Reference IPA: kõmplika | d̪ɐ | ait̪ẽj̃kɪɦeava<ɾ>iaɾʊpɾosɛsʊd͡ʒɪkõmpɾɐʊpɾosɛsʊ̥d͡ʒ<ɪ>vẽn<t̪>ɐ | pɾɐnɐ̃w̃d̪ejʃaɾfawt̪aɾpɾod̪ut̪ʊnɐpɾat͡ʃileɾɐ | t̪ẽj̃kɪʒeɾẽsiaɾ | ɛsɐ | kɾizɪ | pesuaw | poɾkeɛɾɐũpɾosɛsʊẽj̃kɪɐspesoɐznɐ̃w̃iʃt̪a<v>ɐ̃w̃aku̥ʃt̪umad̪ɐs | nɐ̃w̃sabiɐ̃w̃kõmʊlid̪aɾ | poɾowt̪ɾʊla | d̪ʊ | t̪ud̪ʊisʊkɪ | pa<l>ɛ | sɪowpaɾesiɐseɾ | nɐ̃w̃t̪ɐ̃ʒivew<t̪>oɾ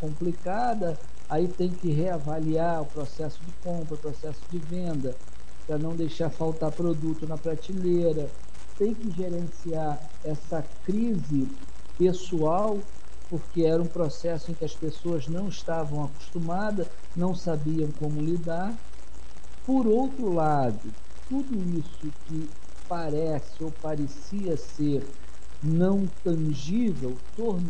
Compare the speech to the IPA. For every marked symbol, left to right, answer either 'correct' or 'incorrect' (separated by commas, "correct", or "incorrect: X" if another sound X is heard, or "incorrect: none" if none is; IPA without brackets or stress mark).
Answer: incorrect: l, correct, incorrect: d̪, correct, incorrect: ɾ, correct